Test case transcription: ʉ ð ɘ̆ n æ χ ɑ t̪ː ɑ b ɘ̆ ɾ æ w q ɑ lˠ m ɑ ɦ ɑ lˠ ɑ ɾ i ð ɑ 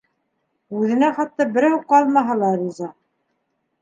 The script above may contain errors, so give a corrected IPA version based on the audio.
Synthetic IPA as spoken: ʉ ð ɘ̆ n æ χ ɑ t̪ː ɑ b ɘ̆ ɾ æ w q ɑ lˠ m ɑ ɦ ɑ lˠ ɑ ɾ i z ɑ